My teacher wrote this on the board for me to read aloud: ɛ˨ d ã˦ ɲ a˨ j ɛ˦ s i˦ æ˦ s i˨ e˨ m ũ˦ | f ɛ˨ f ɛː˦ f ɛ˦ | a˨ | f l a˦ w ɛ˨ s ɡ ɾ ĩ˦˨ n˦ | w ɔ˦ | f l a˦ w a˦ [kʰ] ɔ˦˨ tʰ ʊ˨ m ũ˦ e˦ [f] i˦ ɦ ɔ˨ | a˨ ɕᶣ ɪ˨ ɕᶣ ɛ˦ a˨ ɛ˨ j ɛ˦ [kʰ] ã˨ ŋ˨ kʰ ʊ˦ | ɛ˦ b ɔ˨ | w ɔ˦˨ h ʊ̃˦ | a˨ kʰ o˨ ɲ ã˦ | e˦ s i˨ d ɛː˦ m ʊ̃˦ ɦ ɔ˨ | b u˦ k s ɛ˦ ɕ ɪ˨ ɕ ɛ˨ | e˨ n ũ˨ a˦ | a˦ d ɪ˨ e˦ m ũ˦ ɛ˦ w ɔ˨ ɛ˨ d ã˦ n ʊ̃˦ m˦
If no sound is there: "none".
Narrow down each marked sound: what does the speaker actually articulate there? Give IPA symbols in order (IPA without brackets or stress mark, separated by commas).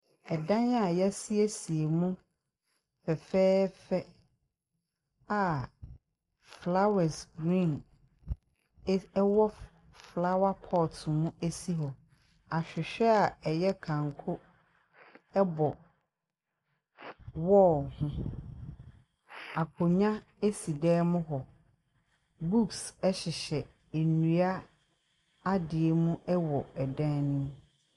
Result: pʰ, s, kʰ